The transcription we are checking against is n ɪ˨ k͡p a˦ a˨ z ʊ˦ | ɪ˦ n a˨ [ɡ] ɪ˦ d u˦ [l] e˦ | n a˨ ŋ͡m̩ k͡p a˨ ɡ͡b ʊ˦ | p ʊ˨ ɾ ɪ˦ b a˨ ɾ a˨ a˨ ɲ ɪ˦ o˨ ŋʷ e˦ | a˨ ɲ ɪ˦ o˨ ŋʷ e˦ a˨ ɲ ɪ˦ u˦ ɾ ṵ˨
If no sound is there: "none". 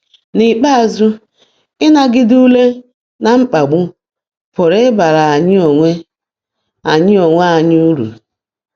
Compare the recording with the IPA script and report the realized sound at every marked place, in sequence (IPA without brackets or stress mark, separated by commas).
ɡ, l